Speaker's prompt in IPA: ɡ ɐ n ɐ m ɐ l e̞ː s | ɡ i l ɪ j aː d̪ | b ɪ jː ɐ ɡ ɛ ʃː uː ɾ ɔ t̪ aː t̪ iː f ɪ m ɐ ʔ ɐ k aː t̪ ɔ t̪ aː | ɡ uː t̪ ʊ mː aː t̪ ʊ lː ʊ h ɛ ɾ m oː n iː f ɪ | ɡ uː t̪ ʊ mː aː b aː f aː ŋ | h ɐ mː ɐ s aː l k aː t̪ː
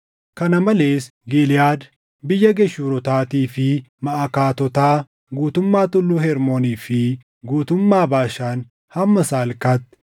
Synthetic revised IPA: k ɐ n ɐ m ɐ l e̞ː s | ɡ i l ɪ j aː d̪ | b ɪ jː ɐ ɡ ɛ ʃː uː ɾ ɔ t̪ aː t̪ iː f ɪ m ɐ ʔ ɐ k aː t̪ ɔ t̪ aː | ɡ uː t̪ ʊ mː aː t̪ ʊ lː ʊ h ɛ ɾ m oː n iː f ɪ | ɡ uː t̪ ʊ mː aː b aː ʃ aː n | h ɐ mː ɐ s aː l k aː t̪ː